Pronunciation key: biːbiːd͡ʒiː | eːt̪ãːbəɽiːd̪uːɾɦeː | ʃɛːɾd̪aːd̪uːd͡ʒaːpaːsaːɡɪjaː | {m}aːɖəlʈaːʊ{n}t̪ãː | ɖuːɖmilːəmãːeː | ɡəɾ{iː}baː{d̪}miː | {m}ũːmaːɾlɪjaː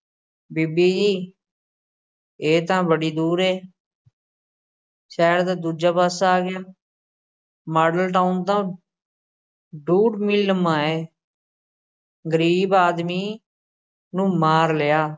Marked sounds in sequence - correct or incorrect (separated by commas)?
correct, correct, correct, correct, incorrect